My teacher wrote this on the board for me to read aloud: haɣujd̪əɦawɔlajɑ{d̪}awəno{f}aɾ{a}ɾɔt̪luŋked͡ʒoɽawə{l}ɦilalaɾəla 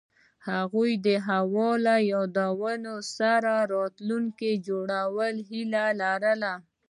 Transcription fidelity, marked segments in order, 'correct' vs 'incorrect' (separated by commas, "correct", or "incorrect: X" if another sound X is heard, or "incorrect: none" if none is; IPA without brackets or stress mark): correct, incorrect: s, correct, correct